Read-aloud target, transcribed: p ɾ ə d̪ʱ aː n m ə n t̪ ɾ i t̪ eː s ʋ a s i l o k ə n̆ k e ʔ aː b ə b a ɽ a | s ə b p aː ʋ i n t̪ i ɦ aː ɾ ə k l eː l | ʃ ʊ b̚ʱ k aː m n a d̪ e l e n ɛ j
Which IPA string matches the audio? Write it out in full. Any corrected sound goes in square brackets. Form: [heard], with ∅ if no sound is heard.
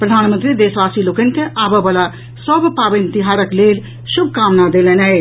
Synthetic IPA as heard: p ɾ ə d̪ʱ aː n m ə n t̪ ɾ i [d̪] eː s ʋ a s i l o k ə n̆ k e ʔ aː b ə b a [l] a | s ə b p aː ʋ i n t̪ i ɦ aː ɾ ə k l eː l | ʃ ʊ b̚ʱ k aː m n a d̪ e l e n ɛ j